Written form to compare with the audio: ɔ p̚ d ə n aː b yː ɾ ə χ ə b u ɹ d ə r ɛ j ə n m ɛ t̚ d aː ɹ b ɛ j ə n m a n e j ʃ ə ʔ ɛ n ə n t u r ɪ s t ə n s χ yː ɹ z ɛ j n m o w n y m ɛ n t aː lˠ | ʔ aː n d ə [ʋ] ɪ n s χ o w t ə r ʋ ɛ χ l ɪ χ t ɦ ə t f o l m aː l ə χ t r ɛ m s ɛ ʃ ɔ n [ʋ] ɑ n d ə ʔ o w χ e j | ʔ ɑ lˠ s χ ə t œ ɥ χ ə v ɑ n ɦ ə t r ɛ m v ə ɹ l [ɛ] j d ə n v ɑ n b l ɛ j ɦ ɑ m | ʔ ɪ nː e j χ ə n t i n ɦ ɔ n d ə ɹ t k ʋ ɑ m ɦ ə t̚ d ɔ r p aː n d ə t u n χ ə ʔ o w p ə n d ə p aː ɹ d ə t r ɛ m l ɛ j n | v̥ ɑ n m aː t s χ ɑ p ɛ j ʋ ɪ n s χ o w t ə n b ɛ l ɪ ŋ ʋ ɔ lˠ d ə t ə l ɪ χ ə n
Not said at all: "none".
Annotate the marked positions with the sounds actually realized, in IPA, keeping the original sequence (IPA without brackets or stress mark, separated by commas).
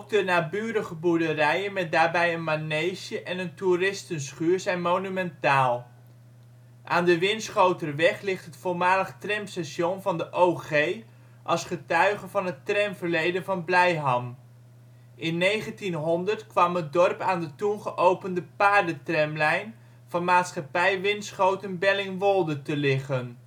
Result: ʋ, v, e